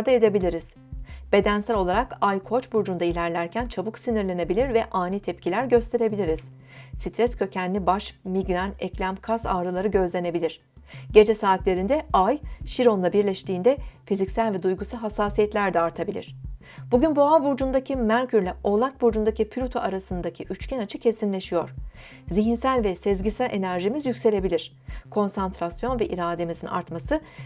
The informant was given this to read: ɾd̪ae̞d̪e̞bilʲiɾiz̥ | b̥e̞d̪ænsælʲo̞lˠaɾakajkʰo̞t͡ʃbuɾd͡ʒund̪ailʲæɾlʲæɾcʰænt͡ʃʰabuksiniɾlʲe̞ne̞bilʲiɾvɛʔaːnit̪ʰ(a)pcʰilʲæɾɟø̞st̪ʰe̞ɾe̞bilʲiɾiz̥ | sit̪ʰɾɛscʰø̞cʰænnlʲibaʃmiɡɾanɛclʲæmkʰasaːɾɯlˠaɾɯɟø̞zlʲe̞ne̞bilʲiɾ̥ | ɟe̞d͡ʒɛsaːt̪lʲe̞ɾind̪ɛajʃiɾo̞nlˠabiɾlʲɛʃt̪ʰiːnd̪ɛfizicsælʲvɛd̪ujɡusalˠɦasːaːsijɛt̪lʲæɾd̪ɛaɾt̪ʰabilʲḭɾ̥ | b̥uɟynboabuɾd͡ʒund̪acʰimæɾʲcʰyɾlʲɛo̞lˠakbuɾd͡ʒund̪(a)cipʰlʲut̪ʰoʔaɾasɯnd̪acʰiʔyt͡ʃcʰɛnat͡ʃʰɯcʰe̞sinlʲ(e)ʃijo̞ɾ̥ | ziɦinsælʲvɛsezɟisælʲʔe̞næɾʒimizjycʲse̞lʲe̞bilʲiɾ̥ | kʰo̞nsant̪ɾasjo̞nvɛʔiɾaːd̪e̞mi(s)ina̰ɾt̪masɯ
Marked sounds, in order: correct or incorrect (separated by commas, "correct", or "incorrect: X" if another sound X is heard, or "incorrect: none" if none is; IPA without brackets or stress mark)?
incorrect: ɛ, correct, correct, incorrect: z